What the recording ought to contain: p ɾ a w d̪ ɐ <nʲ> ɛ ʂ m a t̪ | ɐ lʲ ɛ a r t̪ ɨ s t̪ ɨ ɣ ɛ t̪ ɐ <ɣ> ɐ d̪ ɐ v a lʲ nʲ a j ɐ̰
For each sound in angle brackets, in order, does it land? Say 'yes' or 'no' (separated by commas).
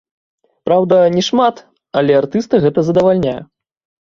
yes, no